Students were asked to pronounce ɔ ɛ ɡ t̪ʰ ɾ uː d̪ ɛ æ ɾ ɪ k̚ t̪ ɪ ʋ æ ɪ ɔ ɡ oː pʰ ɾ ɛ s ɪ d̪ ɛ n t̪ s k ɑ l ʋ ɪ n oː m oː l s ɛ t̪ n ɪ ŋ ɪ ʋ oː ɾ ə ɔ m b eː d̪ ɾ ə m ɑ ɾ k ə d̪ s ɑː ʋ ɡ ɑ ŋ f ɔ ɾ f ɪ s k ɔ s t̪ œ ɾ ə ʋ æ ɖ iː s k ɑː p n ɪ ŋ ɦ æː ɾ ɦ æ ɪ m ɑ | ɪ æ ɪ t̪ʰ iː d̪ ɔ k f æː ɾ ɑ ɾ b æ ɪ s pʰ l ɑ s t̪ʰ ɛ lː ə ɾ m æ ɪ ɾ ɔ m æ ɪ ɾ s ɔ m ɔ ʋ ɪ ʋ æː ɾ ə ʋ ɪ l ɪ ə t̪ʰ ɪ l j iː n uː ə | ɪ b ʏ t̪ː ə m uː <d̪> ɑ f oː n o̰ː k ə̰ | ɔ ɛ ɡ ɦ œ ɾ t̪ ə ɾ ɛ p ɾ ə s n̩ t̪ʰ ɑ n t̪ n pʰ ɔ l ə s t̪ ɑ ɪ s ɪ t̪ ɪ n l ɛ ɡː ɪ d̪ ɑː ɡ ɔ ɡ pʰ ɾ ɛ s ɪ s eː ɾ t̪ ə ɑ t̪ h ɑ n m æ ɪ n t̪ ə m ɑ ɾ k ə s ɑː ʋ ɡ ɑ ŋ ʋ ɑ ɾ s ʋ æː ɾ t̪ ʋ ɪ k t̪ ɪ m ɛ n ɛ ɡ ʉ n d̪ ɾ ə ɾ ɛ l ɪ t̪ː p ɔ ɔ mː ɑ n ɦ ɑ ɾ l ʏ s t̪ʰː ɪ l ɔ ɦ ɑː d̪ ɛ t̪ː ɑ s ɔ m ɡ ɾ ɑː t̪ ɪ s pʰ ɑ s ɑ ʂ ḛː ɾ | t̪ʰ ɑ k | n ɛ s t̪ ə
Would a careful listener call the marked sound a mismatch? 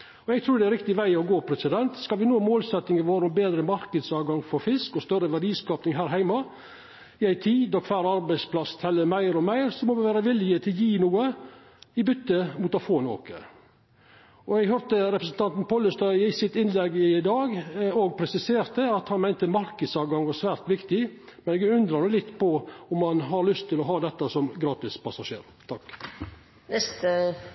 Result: yes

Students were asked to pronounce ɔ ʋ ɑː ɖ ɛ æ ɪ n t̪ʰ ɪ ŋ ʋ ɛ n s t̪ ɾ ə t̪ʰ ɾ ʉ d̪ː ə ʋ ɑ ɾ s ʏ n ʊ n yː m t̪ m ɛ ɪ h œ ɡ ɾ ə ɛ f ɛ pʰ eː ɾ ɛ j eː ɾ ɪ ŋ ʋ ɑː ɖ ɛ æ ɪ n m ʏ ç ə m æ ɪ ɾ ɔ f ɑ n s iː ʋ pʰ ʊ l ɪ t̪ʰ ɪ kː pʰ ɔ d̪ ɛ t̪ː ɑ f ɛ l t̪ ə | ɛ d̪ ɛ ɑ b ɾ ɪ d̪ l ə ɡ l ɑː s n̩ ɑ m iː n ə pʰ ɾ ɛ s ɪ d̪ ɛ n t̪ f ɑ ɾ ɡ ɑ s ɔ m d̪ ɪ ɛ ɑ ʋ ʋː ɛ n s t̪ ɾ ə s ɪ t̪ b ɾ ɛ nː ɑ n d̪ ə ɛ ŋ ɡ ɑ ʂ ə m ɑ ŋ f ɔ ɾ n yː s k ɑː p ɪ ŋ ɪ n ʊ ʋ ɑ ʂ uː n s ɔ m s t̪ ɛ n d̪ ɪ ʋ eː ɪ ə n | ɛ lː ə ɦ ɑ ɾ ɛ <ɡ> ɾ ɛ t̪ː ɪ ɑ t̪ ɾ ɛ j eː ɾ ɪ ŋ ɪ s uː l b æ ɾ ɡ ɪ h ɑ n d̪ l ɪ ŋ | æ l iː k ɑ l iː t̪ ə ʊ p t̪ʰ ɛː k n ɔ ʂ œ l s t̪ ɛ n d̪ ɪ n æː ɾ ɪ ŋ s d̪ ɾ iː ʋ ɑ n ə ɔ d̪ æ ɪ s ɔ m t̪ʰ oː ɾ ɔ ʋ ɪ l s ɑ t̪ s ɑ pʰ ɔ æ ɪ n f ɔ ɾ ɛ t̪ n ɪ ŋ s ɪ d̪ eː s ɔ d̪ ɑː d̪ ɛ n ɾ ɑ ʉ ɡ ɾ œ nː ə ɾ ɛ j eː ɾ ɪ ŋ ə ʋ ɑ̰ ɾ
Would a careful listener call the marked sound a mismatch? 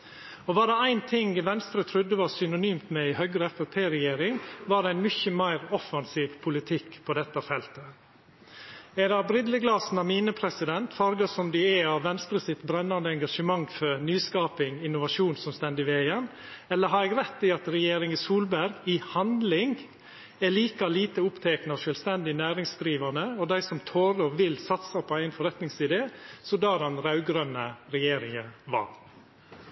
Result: no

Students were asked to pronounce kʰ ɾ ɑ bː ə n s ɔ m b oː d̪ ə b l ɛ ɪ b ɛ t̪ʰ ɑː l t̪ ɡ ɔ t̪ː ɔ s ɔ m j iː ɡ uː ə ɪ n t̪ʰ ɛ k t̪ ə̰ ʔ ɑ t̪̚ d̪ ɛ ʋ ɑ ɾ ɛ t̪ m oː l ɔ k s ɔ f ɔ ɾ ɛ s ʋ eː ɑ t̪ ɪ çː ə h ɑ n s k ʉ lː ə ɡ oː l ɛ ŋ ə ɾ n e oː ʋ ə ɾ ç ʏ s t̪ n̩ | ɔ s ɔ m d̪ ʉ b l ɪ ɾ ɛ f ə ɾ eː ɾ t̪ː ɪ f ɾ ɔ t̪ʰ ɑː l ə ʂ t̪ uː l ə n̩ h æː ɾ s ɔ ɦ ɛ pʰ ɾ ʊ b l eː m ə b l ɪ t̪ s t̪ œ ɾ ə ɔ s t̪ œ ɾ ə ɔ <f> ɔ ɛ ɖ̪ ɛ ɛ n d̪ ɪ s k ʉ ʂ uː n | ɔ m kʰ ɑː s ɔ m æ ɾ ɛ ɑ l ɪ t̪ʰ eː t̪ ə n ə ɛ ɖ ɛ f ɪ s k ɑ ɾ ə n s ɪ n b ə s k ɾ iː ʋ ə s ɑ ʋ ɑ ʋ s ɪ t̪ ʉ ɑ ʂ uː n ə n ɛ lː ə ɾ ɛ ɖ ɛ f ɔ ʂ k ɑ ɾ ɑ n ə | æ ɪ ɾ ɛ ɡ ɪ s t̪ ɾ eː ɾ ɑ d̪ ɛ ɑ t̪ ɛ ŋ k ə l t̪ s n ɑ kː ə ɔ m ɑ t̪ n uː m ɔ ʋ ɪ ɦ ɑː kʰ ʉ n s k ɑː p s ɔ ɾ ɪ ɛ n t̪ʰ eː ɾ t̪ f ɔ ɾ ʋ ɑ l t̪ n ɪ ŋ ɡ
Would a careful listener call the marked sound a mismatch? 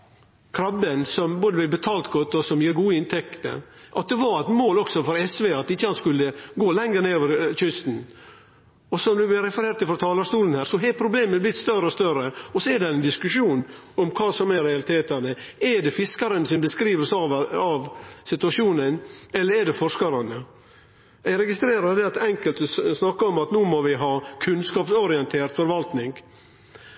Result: yes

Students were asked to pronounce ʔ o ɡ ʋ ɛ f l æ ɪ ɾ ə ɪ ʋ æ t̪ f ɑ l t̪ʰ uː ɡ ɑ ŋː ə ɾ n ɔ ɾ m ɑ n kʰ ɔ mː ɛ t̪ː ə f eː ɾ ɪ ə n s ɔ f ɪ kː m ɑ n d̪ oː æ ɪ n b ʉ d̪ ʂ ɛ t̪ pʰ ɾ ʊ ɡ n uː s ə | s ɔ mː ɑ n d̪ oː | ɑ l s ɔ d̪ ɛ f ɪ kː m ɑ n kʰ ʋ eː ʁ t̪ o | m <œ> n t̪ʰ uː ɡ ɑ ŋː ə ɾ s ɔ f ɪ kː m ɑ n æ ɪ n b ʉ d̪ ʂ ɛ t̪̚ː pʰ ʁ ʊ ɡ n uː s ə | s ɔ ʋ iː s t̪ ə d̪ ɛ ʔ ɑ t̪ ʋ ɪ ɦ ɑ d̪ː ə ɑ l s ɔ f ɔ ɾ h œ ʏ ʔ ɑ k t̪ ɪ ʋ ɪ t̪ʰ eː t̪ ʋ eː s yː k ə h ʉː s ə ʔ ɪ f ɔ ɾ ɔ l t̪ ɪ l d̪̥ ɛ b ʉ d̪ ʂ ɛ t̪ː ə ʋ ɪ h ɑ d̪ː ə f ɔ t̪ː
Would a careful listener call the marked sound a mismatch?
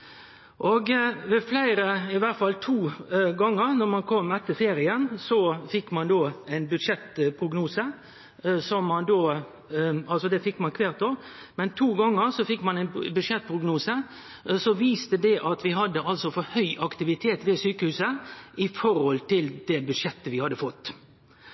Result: yes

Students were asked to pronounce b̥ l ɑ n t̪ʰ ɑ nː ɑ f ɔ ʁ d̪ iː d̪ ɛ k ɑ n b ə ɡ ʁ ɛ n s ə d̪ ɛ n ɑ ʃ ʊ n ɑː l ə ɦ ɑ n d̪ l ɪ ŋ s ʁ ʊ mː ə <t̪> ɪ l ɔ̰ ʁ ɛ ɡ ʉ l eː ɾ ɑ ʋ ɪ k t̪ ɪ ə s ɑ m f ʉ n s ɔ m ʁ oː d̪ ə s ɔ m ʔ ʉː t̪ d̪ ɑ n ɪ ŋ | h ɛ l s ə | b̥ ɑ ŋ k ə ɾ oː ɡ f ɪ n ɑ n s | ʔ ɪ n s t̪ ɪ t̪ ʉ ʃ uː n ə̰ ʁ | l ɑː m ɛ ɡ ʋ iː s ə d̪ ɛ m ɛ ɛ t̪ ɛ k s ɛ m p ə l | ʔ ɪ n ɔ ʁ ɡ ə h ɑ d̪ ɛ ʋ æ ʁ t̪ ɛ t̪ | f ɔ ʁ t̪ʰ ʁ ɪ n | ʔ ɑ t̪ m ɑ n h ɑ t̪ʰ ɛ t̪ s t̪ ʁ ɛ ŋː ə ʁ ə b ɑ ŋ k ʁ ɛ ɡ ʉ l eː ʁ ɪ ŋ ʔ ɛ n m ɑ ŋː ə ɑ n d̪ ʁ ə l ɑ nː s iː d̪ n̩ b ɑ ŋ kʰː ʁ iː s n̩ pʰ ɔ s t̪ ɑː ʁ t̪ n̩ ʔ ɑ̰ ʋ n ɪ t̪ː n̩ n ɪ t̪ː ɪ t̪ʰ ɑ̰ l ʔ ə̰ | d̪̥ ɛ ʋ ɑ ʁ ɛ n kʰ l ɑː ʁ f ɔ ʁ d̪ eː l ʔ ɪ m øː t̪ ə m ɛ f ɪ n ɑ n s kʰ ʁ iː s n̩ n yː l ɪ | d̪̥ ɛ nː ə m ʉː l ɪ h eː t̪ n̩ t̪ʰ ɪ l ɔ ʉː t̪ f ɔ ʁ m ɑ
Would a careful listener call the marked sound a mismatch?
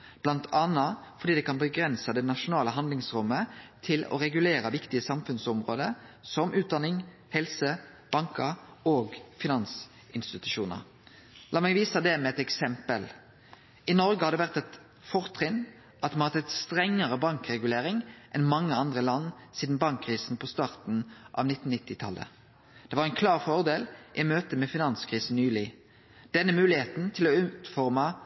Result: yes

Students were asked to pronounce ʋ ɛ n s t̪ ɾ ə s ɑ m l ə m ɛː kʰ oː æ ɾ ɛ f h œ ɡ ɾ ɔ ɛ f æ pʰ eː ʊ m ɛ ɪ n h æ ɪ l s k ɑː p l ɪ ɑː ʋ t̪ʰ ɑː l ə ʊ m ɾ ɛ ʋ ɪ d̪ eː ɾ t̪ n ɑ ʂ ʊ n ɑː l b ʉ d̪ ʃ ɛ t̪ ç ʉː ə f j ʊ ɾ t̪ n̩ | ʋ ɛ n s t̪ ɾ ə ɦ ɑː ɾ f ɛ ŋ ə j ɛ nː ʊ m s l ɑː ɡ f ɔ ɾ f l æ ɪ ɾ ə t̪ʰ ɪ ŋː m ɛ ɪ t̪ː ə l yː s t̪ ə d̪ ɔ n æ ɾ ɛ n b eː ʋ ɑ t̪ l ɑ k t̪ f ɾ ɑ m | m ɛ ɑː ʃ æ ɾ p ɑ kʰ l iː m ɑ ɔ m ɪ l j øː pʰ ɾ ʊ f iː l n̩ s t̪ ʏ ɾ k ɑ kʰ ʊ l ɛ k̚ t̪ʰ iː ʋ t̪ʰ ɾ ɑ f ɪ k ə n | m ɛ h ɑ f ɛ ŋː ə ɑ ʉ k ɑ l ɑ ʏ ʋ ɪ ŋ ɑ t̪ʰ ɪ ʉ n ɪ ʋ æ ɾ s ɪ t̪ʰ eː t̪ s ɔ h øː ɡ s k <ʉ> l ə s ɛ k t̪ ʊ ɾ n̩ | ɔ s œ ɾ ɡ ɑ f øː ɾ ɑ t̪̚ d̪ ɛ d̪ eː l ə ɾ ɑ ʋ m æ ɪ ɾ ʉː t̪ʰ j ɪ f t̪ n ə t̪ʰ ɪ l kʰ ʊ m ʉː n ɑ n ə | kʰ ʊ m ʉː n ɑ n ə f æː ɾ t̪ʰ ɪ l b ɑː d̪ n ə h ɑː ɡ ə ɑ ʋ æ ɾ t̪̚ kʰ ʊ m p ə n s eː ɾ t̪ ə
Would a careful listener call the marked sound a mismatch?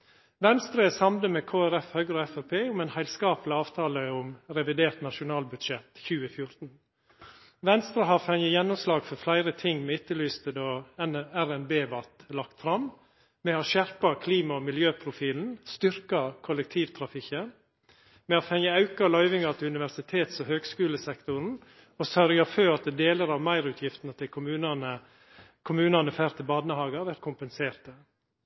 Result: yes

